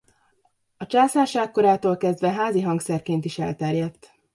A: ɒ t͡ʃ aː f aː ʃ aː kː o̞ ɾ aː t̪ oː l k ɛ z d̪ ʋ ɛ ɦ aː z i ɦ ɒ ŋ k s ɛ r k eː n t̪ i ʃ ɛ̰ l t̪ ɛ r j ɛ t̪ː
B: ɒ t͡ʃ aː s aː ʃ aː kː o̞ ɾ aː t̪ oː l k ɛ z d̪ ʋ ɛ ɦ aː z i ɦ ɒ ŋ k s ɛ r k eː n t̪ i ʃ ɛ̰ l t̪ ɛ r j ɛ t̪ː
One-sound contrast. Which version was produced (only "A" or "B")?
B